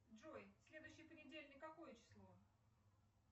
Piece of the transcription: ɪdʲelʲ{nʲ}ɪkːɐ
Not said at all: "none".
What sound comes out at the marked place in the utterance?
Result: nʲ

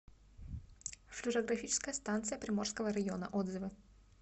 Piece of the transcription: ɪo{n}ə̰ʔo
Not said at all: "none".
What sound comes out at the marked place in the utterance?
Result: n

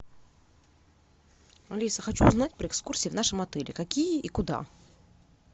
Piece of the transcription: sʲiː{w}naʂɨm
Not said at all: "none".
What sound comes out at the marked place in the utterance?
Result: v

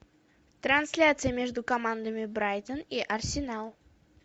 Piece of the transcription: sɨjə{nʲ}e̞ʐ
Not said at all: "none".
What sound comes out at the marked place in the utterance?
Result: mʲ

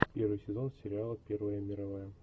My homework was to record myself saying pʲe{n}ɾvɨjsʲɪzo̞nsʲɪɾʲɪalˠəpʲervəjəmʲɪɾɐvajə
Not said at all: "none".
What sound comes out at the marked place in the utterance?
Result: none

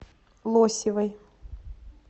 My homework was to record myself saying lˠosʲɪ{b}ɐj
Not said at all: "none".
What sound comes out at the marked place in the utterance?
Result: v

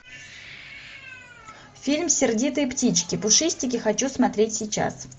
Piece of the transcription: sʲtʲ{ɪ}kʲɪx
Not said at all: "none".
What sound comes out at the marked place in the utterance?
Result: ɪ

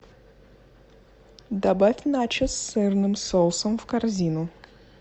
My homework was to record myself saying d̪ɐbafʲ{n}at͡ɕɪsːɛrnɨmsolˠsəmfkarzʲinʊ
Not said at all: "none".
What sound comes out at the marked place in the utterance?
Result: n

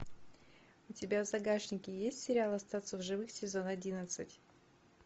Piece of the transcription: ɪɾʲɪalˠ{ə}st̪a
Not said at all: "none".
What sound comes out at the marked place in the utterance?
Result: ɐ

